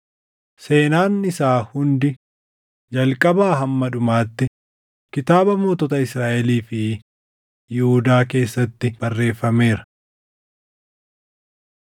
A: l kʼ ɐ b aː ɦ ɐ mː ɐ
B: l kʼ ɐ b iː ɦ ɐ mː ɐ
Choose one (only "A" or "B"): A